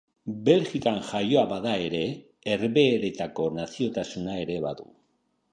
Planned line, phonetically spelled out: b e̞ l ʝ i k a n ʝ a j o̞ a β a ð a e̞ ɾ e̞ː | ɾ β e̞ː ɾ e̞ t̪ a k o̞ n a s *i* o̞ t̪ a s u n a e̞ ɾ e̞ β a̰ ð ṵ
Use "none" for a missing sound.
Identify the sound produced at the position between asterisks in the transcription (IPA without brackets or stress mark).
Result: i